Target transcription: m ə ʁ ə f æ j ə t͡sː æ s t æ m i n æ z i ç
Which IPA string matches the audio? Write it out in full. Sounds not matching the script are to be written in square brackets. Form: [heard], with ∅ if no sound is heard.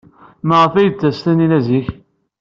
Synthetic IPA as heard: m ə ʁ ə f æ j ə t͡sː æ s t æ [n] i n æ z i ç

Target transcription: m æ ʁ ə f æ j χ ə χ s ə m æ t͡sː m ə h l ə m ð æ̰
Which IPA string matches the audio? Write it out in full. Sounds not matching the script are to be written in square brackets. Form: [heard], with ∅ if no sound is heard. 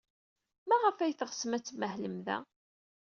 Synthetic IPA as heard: m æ ʁ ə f æ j [θ] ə [ʁ] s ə m æ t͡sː m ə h l ə m ð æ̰

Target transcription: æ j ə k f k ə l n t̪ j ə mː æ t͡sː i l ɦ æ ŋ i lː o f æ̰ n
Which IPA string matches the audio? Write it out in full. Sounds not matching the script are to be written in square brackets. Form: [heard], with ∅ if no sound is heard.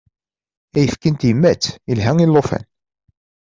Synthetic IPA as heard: æ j ə [∅] f k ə [∅] n t̪ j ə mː æ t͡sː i l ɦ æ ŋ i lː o f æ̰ n

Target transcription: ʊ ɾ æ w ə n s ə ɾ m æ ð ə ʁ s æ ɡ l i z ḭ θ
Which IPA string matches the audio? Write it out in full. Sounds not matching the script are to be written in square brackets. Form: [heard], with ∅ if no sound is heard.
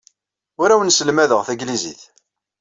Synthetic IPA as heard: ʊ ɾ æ w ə n s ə [l] m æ ð ə ʁ [θ] æ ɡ l i z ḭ θ

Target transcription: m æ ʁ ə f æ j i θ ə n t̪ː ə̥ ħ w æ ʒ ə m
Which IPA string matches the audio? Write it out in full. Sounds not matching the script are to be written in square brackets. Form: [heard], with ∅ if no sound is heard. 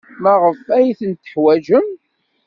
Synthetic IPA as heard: m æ ʁ ə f æ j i θ ə n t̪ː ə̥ ħ w æ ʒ ə m

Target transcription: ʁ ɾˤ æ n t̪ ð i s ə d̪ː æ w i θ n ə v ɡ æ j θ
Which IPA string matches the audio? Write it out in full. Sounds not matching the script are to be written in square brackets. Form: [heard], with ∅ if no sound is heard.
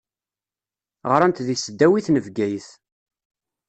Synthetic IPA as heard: ʁ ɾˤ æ n t̪ ð i s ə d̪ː æ w i θ n ə v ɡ æ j θ

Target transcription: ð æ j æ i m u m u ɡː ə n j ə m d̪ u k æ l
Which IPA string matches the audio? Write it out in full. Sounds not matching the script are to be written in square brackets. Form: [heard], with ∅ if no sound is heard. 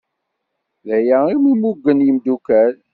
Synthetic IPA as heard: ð æ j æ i m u m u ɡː ə n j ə m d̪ u k æ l

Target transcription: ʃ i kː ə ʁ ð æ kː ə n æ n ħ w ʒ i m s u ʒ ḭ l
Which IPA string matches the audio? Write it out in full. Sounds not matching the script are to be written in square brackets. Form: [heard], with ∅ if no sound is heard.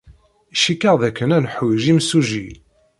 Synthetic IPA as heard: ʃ i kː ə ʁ ð æ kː ə n æ n ħ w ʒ i m s u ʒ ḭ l

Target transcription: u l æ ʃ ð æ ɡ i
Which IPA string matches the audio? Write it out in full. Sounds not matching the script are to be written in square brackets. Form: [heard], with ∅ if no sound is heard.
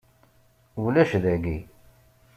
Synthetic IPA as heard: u l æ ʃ ð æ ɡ i

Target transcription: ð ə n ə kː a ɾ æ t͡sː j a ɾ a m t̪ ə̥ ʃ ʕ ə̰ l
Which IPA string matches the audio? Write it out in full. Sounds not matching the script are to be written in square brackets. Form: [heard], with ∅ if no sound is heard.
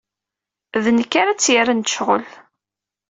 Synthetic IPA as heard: ð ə n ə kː a ɾ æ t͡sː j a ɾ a [n] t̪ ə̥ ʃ [ʁ] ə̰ l

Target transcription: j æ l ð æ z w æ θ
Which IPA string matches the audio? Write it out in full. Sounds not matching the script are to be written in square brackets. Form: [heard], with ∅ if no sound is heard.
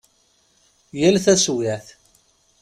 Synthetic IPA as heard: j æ l [θ] æ [s] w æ θ

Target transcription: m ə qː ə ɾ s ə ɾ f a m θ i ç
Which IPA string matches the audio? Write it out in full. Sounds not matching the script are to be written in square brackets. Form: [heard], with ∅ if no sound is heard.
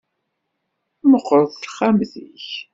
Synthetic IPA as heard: m ə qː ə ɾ [θ] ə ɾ [χ] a m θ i ç

